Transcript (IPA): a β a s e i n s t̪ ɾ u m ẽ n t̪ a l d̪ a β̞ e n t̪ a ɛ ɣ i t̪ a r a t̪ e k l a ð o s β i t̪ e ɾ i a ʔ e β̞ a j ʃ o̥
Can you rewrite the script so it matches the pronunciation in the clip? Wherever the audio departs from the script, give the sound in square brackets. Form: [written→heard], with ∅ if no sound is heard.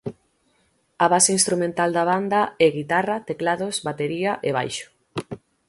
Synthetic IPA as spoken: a β a s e i n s t̪ ɾ u m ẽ n t̪ a l d̪ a β̞ [e→a] n [t̪→d̪] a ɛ ɣ i t̪ a r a t̪ e k l a ð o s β [i→a] t̪ e ɾ i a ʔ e β̞ a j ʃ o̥